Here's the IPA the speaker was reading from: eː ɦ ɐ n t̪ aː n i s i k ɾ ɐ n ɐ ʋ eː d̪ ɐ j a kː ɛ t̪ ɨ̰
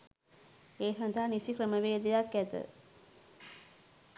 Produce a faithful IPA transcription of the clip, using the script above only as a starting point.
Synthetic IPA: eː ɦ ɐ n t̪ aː n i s i k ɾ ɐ m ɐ ʋ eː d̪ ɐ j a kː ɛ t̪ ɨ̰